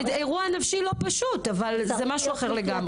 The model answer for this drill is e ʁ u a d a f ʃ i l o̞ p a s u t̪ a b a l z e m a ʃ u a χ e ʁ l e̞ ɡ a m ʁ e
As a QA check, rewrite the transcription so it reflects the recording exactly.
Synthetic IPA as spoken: e ʁ u a n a f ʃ i l o̞ p a ʃ u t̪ a v a l z e m a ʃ u a χ e ʁ l e̞ ɡ a m ʁ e